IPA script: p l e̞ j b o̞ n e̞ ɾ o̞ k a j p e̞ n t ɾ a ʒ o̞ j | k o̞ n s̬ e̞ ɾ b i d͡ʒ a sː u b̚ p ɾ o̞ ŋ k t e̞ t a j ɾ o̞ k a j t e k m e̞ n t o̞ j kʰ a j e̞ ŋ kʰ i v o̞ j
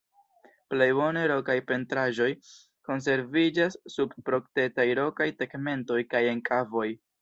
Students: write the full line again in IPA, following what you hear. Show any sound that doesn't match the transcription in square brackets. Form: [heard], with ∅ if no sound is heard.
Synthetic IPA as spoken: p l e̞ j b o̞ n e̞ ɾ o̞ k a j p e̞ n t ɾ a ʒ o̞ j | k o̞ n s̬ e̞ ɾ [v] i d͡ʒ a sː u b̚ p ɾ o̞ [∅] k t e̞ t a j ɾ o̞ k a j t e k m e̞ n t o̞ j [k] a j e̞ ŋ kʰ [a] v o̞ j